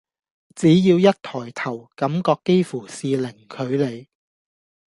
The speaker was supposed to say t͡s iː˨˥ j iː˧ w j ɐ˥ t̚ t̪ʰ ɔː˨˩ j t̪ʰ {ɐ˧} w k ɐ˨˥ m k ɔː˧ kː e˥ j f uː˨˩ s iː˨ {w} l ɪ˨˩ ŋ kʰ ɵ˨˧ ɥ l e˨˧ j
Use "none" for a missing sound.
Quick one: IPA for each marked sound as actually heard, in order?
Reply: ɐ˨˩, none

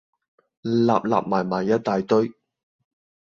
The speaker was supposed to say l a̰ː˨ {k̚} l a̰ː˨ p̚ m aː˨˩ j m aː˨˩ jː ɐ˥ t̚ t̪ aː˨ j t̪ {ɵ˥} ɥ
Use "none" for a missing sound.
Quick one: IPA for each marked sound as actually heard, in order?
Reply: p̚, ɵ˥

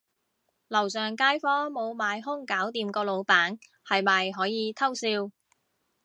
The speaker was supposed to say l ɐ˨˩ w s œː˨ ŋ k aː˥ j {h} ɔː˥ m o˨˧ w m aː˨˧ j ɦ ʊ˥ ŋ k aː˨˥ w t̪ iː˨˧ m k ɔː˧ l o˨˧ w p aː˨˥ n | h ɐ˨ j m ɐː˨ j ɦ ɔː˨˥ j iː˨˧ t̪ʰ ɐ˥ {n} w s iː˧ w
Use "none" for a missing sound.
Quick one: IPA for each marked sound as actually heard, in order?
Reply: f, none

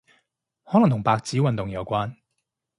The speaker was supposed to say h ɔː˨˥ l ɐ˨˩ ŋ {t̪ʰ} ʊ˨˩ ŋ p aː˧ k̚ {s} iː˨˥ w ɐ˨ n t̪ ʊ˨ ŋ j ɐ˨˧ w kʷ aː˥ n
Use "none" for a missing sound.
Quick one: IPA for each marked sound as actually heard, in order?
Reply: t̪, t͡s

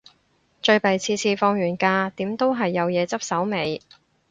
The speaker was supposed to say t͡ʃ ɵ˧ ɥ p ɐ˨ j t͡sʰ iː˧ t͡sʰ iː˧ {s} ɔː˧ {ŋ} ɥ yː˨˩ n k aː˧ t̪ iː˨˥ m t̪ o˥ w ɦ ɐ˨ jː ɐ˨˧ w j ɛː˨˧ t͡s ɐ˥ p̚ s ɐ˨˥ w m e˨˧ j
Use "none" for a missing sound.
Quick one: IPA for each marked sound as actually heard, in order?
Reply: f, ŋ

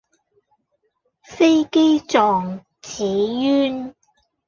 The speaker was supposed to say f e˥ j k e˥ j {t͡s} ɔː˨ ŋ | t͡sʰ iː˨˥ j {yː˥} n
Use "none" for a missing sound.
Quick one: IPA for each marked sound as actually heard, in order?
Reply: t͡s, yː˥

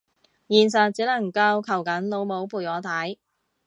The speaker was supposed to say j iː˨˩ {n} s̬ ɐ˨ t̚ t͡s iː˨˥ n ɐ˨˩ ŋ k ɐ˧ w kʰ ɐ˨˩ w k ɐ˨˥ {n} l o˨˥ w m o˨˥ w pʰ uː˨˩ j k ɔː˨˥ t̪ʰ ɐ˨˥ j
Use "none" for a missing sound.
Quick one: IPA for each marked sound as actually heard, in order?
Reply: n, n

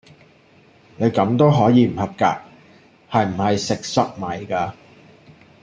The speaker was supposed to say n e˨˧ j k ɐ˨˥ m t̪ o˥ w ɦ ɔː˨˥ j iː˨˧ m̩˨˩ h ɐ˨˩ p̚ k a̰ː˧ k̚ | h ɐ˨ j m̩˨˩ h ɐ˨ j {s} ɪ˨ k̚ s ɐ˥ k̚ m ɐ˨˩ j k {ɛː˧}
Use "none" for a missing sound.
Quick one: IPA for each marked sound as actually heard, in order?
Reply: s, aː˧

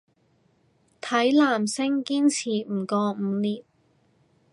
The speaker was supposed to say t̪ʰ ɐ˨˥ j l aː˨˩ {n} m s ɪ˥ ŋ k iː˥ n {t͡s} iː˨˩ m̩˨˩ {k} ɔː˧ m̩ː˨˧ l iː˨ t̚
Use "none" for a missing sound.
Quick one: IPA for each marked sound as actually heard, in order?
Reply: none, t͡sʰ, k

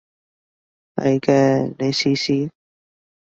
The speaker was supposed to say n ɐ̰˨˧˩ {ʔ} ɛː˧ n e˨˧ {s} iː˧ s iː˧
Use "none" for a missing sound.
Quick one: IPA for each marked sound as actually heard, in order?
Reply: k, s

